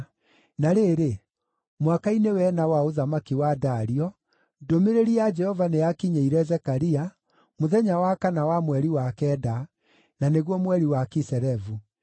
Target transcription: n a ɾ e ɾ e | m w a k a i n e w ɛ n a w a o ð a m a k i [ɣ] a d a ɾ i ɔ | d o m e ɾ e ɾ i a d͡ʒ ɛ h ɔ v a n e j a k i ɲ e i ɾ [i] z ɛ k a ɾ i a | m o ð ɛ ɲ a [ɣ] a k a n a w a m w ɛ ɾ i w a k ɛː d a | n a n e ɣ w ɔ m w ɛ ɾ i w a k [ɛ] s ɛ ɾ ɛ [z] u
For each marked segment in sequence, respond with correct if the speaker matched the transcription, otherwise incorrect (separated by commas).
incorrect, incorrect, incorrect, incorrect, incorrect